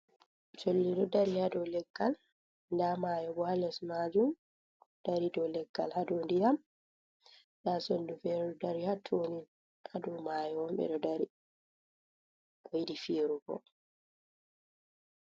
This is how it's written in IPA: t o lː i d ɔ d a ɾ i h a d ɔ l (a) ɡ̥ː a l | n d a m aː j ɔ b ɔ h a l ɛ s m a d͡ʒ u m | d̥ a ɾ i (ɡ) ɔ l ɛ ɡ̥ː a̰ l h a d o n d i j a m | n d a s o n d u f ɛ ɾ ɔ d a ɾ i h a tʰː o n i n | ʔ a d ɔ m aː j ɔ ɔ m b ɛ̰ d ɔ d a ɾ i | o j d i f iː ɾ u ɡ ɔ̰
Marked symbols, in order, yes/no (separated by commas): no, no